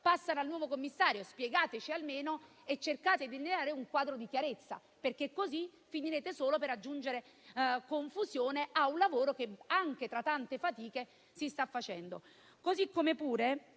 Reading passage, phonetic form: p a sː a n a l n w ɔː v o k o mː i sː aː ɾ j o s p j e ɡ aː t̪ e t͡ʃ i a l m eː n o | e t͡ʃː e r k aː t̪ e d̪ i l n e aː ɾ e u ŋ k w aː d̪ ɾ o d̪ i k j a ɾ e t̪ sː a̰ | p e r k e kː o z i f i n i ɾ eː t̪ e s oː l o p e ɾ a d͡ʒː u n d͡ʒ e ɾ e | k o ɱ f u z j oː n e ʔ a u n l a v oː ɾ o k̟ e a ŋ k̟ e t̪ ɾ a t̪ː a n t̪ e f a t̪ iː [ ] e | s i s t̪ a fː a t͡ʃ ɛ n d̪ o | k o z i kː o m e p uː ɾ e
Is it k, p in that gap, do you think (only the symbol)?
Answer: k